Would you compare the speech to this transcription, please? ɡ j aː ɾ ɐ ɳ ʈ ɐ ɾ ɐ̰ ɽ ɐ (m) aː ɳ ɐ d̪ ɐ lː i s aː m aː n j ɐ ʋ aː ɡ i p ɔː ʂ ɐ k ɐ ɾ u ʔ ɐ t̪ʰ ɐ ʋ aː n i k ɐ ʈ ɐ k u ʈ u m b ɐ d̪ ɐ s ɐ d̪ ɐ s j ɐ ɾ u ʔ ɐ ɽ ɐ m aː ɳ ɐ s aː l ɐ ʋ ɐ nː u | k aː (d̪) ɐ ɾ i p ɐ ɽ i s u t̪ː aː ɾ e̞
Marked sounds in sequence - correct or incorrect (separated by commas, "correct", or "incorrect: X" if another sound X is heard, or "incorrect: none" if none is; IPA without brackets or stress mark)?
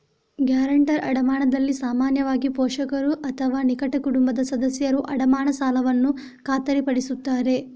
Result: correct, incorrect: t̪